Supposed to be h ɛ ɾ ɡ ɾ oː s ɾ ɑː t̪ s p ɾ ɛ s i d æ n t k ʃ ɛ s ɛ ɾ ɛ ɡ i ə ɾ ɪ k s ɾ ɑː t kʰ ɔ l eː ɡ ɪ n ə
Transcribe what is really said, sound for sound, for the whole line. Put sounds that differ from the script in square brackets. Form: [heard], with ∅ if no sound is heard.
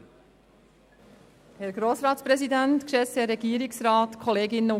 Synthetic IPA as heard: h ɛ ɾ ɡ ɾ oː s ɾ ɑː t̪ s p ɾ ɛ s i d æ n t k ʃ ɛ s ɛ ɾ ɛ ɡ i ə ɾ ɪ k s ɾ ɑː t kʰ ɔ l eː ɡ ɪ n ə